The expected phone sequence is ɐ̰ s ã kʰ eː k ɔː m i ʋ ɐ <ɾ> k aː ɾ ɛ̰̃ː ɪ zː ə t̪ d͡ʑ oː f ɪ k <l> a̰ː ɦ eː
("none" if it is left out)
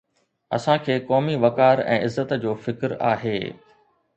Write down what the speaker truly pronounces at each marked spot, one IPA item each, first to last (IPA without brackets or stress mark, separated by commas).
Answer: none, ɾ